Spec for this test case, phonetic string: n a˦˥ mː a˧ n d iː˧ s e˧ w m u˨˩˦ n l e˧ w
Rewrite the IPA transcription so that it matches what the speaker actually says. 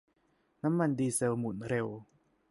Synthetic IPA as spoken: n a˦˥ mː a˧ n d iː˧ s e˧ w m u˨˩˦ n ɾ e˧ w